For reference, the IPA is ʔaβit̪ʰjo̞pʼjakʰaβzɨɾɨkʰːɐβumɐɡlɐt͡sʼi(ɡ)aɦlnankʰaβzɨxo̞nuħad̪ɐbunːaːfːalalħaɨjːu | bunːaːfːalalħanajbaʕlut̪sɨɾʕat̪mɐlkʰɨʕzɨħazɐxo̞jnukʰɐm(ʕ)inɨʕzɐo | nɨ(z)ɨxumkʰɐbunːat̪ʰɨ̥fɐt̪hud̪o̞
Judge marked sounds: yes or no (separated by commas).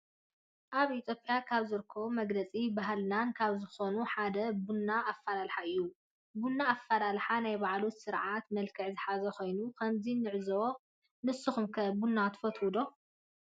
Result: no, no, no